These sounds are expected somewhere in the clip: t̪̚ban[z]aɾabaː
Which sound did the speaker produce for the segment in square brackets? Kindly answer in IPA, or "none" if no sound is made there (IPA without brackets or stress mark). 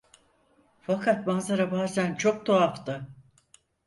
z